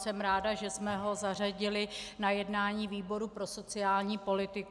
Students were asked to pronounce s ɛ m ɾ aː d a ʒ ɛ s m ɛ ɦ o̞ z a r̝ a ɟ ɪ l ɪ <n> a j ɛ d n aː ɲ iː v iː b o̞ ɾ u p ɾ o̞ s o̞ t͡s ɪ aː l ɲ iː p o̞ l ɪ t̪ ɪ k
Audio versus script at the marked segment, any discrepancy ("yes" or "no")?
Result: no